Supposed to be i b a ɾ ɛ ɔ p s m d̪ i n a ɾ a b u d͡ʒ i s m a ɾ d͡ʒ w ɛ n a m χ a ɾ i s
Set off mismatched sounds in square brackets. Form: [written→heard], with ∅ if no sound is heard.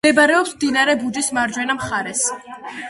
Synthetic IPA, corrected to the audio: [i→ɛ] b a ɾ ɛ ɔ p s m d̪ i n a ɾ [a→ɛ] b u d͡ʒ i s m a ɾ d͡ʒ w ɛ n a m χ a ɾ [i→ɛ] s